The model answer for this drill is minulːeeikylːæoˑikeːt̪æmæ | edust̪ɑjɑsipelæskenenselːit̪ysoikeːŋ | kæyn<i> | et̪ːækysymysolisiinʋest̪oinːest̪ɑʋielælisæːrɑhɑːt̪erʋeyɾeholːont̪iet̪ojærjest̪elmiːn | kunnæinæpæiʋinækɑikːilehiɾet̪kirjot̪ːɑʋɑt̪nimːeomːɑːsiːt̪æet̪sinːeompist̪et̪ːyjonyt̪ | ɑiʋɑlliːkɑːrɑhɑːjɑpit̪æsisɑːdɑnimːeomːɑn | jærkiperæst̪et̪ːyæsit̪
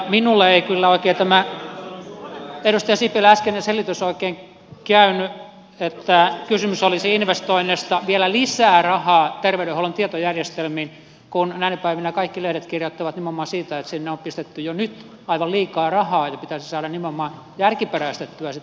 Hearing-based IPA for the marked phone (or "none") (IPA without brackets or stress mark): y